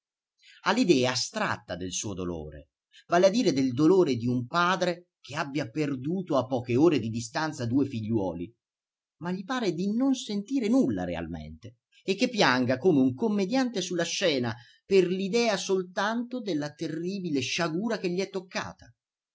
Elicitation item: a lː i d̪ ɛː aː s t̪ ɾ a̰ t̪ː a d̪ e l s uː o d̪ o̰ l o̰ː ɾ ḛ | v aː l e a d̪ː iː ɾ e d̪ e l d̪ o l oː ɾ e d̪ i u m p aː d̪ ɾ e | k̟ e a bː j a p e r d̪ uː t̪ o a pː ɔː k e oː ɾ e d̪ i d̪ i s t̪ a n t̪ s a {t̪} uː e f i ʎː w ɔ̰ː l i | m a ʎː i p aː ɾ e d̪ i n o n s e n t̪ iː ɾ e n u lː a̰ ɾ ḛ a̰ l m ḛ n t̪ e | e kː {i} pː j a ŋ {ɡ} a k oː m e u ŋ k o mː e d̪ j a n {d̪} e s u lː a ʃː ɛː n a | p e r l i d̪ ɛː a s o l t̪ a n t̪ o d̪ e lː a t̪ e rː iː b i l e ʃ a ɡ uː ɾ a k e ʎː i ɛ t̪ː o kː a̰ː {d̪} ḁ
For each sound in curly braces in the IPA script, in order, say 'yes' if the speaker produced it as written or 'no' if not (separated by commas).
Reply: no, no, yes, no, no